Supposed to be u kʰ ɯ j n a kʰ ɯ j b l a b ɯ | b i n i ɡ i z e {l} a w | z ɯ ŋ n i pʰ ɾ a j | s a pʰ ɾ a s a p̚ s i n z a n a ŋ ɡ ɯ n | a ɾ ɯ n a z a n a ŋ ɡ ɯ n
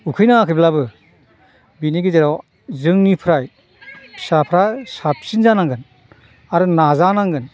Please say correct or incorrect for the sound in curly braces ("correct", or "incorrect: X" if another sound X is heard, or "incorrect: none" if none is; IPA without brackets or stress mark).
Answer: incorrect: ɾ